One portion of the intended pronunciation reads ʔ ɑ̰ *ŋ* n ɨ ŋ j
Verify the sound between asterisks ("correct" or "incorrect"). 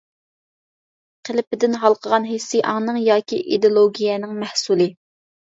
correct